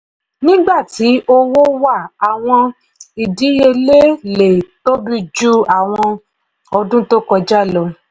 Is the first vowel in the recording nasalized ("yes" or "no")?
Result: yes